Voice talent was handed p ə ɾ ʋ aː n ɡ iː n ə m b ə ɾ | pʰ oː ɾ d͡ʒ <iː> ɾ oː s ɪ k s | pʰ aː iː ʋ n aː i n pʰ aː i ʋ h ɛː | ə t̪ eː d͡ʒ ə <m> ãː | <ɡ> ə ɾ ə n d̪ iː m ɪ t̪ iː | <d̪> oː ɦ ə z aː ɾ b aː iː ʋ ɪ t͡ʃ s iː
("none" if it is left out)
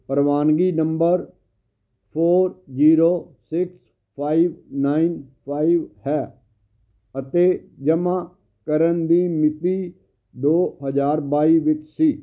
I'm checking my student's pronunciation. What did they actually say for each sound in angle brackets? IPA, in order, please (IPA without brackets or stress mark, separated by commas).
iː, m, k, d̪